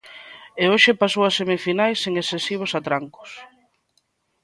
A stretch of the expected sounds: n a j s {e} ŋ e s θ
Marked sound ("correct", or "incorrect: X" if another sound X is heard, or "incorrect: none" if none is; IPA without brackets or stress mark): correct